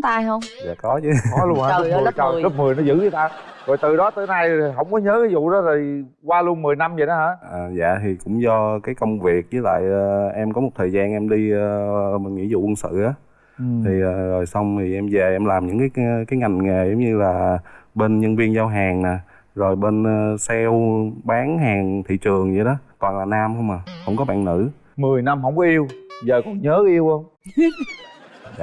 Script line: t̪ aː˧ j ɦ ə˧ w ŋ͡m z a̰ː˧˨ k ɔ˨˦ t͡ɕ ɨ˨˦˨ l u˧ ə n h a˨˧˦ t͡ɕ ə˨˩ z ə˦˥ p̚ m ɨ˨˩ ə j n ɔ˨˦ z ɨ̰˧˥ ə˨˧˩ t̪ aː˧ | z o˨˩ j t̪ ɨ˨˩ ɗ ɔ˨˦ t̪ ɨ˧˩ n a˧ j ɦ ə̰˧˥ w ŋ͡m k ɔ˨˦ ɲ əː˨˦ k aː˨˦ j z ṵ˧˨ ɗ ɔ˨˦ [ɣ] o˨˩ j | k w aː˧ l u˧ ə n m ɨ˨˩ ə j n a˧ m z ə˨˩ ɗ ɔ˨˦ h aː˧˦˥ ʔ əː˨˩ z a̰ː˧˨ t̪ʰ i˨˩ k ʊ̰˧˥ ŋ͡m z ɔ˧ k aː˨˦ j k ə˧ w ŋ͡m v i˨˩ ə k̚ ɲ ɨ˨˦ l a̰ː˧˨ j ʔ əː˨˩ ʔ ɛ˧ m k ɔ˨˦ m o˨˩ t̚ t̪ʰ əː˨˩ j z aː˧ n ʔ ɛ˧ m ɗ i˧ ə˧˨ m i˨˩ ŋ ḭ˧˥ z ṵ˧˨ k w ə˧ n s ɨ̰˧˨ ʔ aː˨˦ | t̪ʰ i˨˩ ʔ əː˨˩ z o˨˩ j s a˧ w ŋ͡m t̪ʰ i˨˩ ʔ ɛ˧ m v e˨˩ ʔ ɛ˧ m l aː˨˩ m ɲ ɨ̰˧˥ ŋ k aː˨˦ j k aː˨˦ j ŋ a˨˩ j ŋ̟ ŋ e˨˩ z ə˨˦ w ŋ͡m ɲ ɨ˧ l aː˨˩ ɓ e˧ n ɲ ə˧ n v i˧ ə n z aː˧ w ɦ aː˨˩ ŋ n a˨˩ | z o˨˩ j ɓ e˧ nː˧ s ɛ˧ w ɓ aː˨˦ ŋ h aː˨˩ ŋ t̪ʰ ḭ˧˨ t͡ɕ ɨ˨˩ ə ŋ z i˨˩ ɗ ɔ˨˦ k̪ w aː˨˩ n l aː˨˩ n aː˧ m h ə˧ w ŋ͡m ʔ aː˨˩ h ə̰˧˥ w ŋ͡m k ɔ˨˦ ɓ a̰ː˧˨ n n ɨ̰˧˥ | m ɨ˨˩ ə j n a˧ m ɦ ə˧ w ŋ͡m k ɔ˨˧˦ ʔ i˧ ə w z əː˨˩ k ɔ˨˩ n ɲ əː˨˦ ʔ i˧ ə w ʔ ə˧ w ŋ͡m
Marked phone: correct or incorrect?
incorrect: z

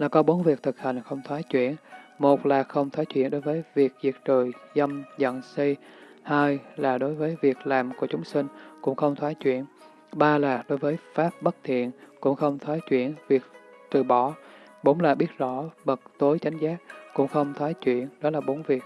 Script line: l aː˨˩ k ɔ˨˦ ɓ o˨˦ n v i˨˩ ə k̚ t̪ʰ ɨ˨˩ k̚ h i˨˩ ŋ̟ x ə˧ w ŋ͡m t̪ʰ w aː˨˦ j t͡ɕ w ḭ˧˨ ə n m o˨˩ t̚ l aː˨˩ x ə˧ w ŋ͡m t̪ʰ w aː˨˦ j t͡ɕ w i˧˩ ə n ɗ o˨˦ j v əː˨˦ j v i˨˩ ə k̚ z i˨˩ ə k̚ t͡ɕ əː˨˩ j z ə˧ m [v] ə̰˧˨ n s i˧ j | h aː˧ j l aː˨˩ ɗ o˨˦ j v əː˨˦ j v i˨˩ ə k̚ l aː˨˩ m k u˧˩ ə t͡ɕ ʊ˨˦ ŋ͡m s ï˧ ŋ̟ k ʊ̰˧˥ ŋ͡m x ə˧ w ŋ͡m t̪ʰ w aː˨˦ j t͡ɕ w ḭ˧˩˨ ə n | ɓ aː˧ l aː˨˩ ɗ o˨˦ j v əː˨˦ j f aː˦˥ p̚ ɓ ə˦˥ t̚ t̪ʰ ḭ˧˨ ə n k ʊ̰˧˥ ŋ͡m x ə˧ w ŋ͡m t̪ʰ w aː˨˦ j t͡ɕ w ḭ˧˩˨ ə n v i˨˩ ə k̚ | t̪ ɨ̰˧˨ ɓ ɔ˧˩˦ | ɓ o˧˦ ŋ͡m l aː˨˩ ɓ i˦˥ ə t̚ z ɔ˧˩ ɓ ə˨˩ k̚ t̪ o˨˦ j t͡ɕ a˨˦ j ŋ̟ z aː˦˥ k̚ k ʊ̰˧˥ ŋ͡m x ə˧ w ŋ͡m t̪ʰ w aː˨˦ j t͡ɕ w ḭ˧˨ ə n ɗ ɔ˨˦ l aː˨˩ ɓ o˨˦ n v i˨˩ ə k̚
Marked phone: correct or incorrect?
incorrect: z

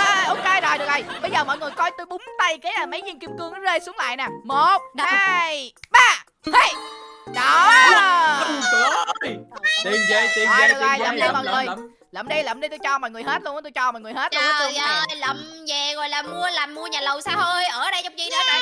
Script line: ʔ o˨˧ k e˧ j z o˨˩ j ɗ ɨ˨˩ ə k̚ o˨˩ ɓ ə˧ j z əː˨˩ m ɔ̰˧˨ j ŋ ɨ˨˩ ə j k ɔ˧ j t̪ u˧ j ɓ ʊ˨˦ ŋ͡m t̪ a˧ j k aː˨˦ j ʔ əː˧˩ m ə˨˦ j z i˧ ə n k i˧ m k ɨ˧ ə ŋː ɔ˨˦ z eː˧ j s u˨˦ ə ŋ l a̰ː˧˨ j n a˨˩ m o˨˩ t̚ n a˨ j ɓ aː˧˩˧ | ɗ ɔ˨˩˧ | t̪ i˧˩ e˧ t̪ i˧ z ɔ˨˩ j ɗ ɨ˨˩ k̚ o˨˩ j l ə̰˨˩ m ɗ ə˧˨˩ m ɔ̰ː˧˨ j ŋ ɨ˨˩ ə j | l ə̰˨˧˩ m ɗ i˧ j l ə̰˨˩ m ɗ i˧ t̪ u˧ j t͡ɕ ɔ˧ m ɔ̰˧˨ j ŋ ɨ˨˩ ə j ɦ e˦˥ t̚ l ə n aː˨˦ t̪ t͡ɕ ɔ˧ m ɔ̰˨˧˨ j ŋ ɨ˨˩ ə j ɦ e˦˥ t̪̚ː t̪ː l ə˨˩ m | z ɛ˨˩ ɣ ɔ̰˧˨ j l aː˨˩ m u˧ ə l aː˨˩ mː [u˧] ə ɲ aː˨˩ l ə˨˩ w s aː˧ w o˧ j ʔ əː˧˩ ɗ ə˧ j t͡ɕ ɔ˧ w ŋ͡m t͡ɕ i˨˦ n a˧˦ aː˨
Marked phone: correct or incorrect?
correct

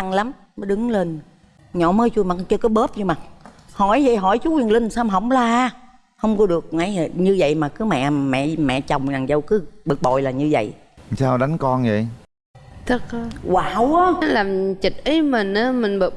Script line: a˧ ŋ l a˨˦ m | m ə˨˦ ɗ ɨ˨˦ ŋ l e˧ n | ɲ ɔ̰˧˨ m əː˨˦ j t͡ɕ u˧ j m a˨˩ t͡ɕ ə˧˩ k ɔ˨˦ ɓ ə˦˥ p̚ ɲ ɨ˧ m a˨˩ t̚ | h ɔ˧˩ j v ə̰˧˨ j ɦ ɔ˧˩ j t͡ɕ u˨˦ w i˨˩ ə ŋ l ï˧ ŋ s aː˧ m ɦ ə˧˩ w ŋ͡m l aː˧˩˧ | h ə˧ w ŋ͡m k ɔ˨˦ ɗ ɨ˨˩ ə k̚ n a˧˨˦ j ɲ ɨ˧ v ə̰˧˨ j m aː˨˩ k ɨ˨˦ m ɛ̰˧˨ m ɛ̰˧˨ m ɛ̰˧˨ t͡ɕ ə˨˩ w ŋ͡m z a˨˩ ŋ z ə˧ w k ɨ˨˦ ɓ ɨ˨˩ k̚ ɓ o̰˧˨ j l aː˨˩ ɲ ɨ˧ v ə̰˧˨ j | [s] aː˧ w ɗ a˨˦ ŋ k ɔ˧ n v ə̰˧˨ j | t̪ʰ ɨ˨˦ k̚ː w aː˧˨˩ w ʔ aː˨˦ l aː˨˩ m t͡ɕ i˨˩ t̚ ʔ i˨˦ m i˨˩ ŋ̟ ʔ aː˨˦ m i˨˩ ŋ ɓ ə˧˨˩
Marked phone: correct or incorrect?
correct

